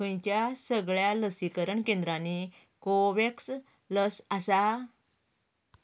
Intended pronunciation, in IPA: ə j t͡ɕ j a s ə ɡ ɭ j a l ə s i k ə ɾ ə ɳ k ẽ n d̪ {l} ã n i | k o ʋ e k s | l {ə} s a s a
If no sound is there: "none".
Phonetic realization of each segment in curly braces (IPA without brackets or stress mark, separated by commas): ɾ, ə